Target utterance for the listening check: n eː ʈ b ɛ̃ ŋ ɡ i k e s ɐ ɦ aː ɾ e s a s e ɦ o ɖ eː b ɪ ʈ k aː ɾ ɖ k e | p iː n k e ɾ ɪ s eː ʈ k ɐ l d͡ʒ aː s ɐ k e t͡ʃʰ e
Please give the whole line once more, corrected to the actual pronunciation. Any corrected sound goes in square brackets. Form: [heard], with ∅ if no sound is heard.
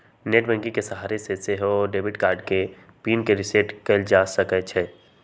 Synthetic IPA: n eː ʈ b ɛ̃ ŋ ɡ i k e s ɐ ɦ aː ɾ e s [e] s e ɦ o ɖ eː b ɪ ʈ k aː ɾ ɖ k e | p iː n k e ɾ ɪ s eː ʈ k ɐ l d͡ʒ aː s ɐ k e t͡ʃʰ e